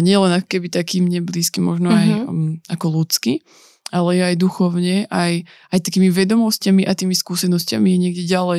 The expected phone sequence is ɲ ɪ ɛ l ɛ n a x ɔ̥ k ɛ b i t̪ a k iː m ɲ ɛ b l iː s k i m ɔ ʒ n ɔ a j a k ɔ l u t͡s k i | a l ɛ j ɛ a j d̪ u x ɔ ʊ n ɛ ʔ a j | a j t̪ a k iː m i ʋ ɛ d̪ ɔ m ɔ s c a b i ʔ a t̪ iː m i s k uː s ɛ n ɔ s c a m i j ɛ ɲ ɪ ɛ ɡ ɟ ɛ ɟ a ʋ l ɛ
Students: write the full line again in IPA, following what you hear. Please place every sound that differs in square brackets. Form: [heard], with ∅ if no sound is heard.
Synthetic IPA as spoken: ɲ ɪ ɛ l ɛ n a [k] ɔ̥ k ɛ b i t̪ a k iː m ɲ ɛ b l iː s k i m ɔ ʒ n ɔ a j a k ɔ l u t͡s k i | a l ɛ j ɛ a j d̪ u x ɔ ʊ [ɲ] ɛ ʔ a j | a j t̪ a k iː m i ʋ ɛ d̪ ɔ m ɔ s c a [m] i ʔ a t̪ iː m i s k uː s ɛ n ɔ s c a m i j ɛ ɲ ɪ ɛ ɡ ɟ ɛ ɟ a [∅] l ɛ